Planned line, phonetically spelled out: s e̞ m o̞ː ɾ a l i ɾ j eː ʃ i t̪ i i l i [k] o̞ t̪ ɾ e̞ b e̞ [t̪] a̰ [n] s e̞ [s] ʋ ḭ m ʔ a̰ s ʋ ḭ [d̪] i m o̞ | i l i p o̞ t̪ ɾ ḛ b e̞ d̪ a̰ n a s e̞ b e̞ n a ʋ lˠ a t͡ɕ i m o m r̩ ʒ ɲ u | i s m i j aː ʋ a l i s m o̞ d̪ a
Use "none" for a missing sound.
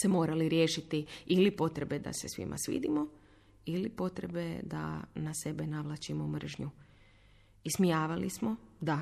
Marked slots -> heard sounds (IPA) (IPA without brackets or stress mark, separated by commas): p, d̪, none, s, d̪